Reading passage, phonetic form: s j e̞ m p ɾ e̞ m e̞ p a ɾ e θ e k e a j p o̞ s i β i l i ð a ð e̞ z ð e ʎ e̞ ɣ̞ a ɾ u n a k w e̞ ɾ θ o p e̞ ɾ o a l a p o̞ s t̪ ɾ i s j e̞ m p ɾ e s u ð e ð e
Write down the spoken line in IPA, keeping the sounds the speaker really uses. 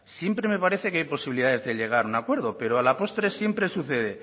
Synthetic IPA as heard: s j e̞ m p ɾ e̞ m e̞ p a ɾ e θ e k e a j p o̞ s i β i l i ð a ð e̞ z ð e ʎ e̞ ɣ̞ a ɾ u n a k w e̞ ɾ ð o p e̞ ɾ o a l a p o̞ s t̪ ɾ e s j e̞ m p ɾ e s u θ e ð e

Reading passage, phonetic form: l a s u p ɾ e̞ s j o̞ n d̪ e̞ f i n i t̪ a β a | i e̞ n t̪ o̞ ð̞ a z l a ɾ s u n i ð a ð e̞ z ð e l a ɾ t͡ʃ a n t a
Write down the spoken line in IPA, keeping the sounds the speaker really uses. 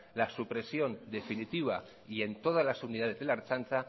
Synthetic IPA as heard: l a s u p ɾ e̞ s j o̞ n d̪ e̞ f i n i t̪ i β a | i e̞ n t̪ o̞ ð̞ a z l a s u n i ð a ð e̞ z ð e l a ɾ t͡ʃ a n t a

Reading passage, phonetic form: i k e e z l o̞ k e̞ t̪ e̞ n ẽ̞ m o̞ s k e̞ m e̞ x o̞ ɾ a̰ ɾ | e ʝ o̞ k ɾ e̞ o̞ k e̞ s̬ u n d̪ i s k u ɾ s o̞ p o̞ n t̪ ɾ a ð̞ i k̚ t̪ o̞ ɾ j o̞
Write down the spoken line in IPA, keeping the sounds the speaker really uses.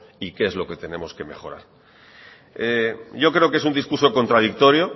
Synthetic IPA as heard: i k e e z l o̞ k e̞ t̪ e̞ n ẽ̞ m o̞ s k e̞ m e̞ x o̞ ɾ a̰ ɾ | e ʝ o̞ k ɾ e̞ o̞ k e̞ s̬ u n d̪ i s k u ɾ s o̞ k o̞ n t̪ ɾ a ð̞ i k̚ t̪ o̞ ɾ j o̞

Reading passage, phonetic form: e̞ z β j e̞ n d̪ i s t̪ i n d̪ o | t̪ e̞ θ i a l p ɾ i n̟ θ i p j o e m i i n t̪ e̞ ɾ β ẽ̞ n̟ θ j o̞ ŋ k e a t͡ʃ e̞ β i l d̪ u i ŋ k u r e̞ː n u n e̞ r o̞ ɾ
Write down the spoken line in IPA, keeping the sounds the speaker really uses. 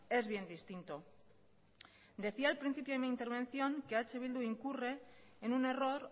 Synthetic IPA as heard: e̞ z β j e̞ n d̪ i s t̪ i n t̪ o | d̪ e̞ θ i a l p ɾ i n̟ θ i p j o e m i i n t̪ e̞ ɾ β e̞ n̟ θ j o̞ ŋ k e a t͡ʃ e̞ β i l d̪ u i ŋ k u r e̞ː n u n e̞ r o̞ ɾ

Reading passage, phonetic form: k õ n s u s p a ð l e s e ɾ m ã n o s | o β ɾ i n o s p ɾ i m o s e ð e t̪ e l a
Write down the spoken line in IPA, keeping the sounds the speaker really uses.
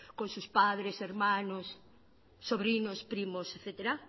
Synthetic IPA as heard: k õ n s u s p a ð ɾ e s e ɾ m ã n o sː | o β ɾ i n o s p ɾ i m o s e θ e t̪ e ɾ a

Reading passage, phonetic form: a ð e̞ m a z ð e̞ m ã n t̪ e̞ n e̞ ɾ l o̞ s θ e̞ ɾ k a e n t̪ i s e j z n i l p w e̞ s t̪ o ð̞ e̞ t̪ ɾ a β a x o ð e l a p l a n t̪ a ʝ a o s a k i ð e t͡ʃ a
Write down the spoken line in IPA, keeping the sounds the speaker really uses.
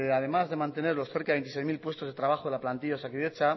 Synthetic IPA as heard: a ð e̞ m a z ð e̞ m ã n t̪ e̞ n e̞ ɾ l o̞ s θ e̞ ɾ k a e n t̪ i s e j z m i l p w e̞ s t̪ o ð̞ e̞ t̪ ɾ a β a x o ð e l a p l a n t̪ i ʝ a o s a k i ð e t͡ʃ a

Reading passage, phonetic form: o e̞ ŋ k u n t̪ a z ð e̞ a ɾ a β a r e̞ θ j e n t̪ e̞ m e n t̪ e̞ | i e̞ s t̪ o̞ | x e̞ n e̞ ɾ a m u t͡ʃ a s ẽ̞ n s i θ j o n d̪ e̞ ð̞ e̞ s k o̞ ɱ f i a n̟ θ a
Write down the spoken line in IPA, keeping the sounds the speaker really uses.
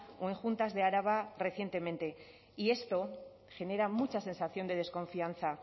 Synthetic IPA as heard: o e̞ ŋ x u n t̪ a z ð e̞ a ɾ a β a r e̞ θ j e n t̪ e̞ m e n t̪ e̞ | i e̞ s t̪ o̞ | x e̞ n e̞ ɾ a m u t͡ʃ a s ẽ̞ n s a θ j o n d̪ e̞ ð̞ e̞ s k o̞ ɱ f i a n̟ θ a

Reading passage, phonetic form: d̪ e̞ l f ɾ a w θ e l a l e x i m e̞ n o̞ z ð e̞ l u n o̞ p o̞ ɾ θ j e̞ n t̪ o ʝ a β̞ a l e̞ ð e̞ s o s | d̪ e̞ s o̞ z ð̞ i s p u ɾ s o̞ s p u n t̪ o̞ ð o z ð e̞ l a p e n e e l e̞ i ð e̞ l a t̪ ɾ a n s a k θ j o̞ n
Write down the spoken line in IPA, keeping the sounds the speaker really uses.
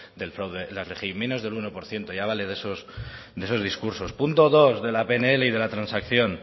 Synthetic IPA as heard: d̪ e̞ l f ɾ a w ð e l a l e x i m e̞ n o̞ z ð e̞ l u n o̞ p o̞ ɾ θ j e̞ n t̪ o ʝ a β̞ a l e̞ ð e̞ s o s | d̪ e̞ s o̞ z ð̞ i s k u ɾ s o̞ s p u n t̪ o̞ ð o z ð e̞ l a p e n e e l e̞ i ð e̞ l a t̪ ɾ a n s a k θ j o̞ n

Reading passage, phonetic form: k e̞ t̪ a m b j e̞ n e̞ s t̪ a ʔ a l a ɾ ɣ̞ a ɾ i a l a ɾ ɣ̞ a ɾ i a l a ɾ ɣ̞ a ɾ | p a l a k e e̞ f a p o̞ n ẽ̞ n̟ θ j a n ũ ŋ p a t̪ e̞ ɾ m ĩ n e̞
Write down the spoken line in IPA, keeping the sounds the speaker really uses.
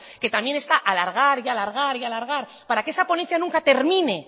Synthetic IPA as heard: k e̞ t̪ a m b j e̞ n e̞ s t̪ a ʔ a l a ɾ ɣ̞ a ɾ i a l a ɾ ɣ̞ a ɾ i a l a ɾ ɣ̞ a ɾ | p a ɾ a k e e̞ s a p o̞ n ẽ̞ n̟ θ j a n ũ ŋ k a t̪ e̞ ɾ m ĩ n e̞

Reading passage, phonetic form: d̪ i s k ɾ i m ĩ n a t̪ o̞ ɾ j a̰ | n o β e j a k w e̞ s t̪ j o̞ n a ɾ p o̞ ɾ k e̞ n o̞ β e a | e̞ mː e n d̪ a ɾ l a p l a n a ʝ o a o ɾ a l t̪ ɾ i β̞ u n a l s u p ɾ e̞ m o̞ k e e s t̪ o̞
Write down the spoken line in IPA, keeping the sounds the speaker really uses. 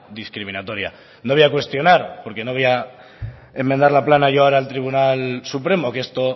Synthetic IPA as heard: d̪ i s k ɾ i m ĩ n a t̪ o̞ ɾ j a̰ | n o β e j a k w e̞ s t̪ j o̞ n a ɾ p o̞ ɾ k e̞ n o̞ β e a | e̞ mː e n d̪ a ɾ l a p l a n a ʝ o a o ɾ a l t̪ ɾ i β̞ u n a l s u p ɾ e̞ m o̞ k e e s t̪ o̞

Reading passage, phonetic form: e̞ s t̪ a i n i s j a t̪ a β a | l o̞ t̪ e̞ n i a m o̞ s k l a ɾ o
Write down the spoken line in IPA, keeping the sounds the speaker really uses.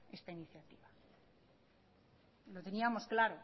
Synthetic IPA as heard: e̞ s t̪ a i n i θ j a t̪ i β a | l o̞ t̪ e̞ n i a m o̞ s k l a ɾ o

